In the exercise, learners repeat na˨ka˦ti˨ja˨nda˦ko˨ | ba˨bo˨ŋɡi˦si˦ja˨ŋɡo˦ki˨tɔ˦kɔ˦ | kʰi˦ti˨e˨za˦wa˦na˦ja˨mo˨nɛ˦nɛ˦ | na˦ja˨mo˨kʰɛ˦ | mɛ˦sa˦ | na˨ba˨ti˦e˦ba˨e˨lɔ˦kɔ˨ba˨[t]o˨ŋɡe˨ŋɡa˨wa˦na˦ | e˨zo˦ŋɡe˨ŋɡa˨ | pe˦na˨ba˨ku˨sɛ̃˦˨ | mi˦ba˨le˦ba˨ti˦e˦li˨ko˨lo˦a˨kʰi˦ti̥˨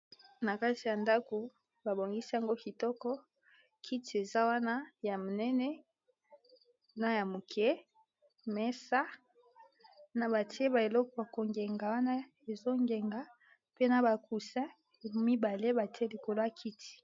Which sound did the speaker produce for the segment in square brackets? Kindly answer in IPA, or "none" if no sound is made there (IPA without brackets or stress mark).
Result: k